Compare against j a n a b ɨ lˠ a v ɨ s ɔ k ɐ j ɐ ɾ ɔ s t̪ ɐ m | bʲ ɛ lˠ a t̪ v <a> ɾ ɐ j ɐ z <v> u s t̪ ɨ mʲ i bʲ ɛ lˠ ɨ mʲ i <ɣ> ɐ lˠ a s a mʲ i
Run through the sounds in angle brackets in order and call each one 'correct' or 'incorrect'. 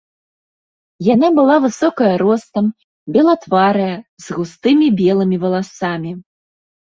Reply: correct, incorrect, incorrect

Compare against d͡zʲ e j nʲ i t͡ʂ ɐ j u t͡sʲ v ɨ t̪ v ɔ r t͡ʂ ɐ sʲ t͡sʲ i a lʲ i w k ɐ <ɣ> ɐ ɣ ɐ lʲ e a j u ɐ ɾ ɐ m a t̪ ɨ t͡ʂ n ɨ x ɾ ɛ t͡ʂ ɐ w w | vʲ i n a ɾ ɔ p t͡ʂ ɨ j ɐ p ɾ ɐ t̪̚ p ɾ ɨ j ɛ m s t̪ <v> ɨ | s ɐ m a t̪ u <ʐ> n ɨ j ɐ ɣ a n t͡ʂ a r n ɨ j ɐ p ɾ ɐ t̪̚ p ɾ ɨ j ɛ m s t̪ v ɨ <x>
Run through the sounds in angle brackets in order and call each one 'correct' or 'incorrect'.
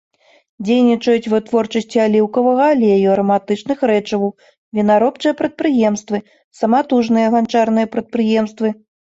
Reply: incorrect, correct, correct, incorrect

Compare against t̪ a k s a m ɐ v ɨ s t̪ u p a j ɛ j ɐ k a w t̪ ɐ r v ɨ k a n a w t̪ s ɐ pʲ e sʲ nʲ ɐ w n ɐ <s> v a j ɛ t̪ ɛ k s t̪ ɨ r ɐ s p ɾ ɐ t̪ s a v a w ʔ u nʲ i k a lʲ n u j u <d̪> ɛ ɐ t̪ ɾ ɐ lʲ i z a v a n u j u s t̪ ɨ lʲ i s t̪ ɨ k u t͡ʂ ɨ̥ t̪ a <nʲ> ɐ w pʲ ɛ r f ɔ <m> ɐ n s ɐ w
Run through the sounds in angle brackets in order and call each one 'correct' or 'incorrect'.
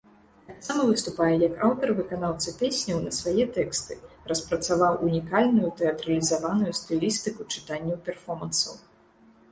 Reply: correct, incorrect, incorrect, correct

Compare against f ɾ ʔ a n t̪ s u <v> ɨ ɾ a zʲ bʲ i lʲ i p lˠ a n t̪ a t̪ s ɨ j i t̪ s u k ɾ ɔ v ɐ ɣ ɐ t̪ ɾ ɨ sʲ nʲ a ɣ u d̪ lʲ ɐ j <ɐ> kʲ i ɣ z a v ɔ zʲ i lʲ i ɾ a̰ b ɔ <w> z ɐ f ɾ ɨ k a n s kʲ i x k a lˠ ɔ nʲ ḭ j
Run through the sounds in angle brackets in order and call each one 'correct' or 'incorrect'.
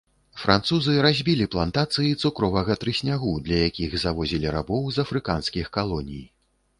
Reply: incorrect, incorrect, correct

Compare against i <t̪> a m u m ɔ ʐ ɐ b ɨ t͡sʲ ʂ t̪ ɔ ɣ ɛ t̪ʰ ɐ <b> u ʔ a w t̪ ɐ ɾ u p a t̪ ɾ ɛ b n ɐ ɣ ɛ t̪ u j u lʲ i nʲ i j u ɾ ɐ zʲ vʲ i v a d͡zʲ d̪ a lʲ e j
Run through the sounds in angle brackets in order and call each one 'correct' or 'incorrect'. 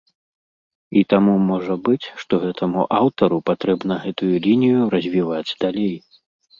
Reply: correct, incorrect

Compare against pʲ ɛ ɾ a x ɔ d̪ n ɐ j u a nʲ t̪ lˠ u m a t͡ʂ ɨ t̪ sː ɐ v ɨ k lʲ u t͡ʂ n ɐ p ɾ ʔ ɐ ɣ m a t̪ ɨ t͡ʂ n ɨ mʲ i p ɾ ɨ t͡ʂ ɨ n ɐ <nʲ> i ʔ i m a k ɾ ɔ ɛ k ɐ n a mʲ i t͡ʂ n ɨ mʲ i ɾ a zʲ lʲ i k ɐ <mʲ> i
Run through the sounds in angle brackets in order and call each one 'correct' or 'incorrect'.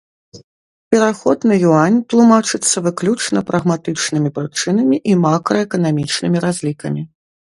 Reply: incorrect, correct

